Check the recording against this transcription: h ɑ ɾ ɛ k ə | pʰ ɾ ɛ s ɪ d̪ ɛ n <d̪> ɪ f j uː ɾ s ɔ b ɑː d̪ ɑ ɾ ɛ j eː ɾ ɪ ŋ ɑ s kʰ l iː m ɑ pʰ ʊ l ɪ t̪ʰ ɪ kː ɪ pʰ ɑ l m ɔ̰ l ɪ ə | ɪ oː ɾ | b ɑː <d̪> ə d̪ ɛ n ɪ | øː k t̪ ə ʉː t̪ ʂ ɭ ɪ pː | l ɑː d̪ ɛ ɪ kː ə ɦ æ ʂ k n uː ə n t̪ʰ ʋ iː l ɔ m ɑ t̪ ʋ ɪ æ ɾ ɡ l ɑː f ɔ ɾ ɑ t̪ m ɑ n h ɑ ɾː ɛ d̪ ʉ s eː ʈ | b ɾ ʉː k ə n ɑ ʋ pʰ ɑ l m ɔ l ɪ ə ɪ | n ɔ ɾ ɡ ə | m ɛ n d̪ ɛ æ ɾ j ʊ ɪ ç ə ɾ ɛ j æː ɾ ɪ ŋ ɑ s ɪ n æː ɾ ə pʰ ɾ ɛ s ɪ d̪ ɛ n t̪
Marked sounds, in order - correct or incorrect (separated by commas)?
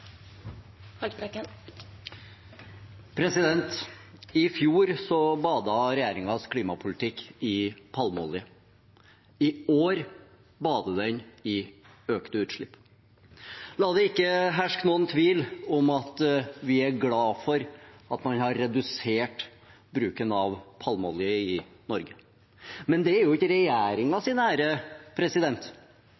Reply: incorrect, correct